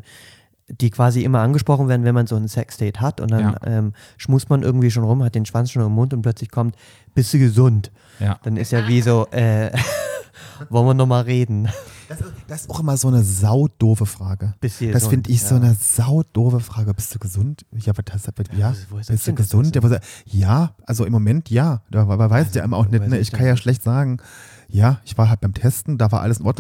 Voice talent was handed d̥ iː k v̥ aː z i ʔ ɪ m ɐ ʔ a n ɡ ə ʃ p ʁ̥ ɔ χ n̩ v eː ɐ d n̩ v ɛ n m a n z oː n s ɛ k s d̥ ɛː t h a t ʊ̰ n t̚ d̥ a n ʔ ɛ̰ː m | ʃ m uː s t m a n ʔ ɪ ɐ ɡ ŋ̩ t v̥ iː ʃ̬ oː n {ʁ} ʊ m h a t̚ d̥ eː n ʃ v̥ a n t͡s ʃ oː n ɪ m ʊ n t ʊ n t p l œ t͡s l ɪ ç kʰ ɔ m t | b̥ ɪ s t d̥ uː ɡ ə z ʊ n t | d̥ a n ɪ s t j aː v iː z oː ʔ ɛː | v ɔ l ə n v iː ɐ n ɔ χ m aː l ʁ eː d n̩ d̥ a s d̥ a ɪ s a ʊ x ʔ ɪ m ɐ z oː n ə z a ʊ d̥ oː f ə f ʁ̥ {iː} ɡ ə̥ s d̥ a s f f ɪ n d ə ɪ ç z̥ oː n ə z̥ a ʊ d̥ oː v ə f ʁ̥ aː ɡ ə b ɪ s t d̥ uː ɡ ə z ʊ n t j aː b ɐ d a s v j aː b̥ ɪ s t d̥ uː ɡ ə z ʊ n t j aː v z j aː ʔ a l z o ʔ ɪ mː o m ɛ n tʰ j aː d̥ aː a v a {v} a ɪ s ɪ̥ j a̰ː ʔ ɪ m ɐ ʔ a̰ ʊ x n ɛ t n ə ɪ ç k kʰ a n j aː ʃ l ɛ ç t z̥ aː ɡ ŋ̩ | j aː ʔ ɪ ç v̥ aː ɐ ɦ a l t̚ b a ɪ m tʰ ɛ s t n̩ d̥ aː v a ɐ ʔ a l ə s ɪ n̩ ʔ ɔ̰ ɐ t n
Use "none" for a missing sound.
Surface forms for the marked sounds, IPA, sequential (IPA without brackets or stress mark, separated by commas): ʁ, aː, v